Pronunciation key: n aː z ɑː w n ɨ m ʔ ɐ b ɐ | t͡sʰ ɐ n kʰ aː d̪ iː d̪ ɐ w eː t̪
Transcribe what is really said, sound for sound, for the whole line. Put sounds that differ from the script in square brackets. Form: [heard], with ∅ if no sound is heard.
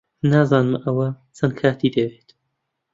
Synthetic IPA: n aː z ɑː [∅] n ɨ m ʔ ɐ [w] ɐ | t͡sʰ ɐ n kʰ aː [t̪] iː d̪ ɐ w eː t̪